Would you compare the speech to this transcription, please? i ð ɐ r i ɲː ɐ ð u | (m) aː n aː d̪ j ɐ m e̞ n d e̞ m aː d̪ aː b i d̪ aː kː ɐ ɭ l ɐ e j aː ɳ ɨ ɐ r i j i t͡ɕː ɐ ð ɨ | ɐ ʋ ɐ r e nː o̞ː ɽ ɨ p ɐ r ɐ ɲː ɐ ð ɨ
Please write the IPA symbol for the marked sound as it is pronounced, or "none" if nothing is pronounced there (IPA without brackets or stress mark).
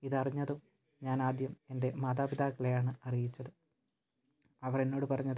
ɲ